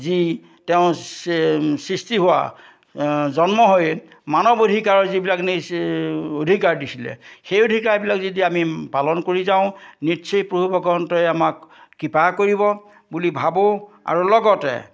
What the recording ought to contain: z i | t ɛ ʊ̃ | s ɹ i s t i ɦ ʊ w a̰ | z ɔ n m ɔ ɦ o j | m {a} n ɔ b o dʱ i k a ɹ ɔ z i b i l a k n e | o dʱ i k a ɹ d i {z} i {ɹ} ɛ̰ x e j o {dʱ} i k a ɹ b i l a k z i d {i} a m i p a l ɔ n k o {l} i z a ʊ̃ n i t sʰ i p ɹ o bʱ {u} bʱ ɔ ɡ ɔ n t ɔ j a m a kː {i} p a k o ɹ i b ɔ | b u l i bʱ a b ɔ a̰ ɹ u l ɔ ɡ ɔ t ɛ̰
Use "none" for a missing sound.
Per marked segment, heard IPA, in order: a, s, l, dʱ, i, ɹ, u, i

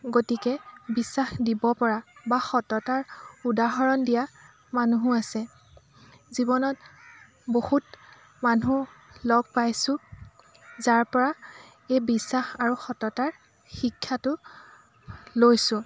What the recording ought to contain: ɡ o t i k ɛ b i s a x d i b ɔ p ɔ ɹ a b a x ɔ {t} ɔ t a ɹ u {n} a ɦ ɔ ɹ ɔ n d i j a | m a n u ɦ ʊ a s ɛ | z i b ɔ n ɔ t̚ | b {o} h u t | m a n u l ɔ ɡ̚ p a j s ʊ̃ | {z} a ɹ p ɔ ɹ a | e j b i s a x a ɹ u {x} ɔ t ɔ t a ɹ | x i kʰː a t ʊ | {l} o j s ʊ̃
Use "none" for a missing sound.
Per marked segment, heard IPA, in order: t, d, o, z, x, l

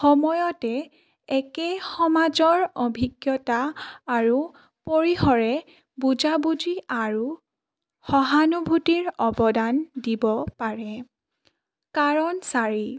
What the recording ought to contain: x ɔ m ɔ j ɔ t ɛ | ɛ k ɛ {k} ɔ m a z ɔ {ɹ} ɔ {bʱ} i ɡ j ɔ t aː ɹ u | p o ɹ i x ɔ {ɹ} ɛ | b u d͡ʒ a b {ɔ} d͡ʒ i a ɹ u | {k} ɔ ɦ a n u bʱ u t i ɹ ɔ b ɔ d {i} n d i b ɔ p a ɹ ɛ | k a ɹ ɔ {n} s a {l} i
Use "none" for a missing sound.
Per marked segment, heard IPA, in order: x, ɹ, bʱ, ɹ, u, x, a, n, ɹ

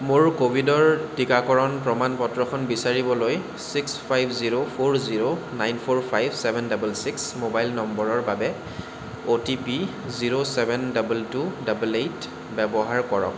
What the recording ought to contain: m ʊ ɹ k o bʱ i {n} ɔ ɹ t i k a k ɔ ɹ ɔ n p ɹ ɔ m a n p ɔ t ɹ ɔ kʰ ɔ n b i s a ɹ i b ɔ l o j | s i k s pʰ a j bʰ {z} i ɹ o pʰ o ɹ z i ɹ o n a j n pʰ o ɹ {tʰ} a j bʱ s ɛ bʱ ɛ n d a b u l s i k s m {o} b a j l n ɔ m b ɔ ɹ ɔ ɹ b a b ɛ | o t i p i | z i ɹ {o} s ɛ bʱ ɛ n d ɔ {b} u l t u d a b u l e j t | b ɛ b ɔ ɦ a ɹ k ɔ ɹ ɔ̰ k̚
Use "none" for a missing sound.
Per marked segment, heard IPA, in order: d, z, pʰ, o, o, b

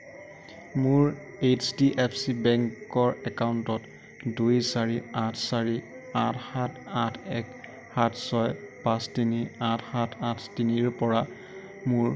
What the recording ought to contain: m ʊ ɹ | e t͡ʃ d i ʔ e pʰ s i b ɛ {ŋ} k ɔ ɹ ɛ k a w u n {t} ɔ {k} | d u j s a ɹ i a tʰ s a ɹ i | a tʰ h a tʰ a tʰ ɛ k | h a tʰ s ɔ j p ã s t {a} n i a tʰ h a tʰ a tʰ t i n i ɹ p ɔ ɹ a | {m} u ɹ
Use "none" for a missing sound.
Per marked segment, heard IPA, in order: ŋ, t, t, i, m

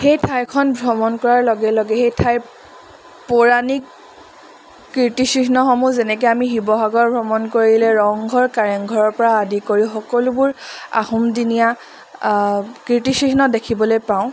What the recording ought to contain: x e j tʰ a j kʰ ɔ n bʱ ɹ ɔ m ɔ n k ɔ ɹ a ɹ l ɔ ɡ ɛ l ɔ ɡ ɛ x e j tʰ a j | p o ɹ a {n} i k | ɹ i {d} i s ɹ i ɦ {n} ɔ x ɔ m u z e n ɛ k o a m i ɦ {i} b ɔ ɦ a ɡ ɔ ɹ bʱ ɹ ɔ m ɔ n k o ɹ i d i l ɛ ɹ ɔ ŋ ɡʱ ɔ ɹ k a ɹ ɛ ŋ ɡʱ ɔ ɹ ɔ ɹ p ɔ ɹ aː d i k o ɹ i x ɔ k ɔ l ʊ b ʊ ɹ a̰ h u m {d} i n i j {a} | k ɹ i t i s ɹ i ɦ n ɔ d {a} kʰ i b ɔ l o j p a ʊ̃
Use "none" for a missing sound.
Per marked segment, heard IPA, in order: n, t, n, i, d, a, e

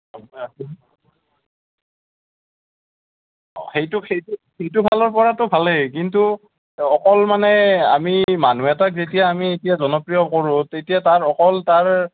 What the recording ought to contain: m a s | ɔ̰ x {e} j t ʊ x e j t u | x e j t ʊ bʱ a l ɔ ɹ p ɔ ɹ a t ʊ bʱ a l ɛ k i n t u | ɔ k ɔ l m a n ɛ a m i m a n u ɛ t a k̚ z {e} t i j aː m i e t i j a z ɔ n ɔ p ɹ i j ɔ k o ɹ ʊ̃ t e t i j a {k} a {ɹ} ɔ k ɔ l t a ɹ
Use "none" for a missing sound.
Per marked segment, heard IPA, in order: e, e, t, ɹ

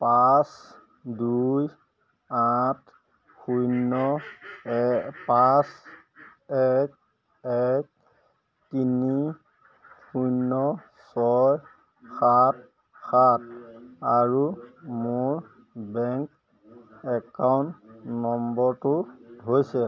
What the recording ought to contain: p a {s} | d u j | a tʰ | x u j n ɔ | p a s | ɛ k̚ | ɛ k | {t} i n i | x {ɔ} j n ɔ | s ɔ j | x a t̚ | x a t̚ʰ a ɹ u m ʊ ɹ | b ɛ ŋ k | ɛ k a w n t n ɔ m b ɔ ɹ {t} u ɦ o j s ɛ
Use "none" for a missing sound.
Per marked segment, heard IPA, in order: s, t, u, t

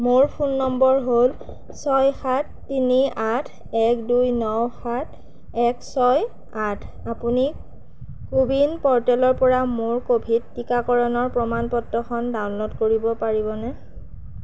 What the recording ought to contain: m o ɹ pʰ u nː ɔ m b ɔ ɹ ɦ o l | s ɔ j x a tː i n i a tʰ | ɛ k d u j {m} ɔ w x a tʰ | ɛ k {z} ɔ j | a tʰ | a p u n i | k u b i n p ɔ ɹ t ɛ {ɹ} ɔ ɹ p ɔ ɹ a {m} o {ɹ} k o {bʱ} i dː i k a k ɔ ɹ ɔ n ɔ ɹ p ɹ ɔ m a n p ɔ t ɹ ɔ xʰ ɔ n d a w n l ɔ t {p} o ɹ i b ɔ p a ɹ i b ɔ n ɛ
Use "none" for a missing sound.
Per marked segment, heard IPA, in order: n, s, l, m, ɹ, bʱ, k

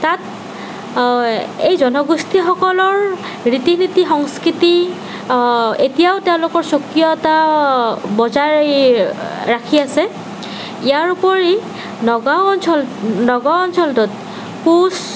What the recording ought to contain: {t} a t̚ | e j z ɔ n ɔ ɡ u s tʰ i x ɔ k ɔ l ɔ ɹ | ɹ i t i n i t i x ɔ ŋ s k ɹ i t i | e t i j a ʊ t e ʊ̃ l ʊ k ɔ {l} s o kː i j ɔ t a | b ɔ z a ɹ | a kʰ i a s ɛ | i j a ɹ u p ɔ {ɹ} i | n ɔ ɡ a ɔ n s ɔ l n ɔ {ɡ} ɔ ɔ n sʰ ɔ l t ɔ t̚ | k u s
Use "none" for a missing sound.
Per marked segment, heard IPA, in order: t, ɹ, ɹ, ɡ

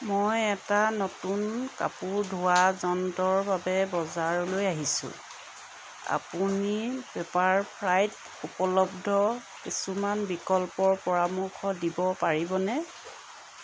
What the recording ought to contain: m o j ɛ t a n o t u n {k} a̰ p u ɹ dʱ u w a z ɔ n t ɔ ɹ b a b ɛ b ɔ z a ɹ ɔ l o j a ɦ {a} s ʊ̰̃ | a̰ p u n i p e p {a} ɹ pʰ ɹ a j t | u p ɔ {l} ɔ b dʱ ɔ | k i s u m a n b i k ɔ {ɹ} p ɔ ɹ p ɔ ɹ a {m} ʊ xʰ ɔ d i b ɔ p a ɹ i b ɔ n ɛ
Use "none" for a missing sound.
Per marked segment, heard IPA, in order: k, i, a, l, l, m

